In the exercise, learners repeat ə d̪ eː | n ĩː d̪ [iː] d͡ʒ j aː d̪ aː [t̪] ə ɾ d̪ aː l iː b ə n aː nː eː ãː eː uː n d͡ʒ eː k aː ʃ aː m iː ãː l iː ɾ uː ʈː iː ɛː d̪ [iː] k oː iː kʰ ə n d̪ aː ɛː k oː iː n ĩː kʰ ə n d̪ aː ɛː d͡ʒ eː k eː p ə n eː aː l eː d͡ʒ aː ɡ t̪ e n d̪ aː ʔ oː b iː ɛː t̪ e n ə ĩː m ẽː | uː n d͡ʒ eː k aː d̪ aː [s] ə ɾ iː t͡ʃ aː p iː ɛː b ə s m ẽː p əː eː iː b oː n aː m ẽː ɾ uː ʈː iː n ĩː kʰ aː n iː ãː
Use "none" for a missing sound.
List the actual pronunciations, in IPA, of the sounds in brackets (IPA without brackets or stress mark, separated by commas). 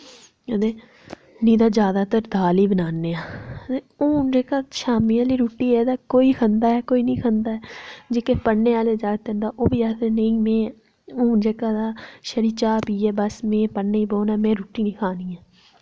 aː, t̪, aː, ʃ